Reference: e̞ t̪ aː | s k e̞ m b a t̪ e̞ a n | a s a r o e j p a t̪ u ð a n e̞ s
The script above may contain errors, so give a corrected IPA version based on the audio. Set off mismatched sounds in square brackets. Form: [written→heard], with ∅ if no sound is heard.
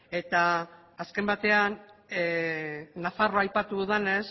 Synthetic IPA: e̞ t̪ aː | s k e̞ m b a t̪ e̞ a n | a [s→f] a r o [e→a] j p a t̪ u ð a n e̞ s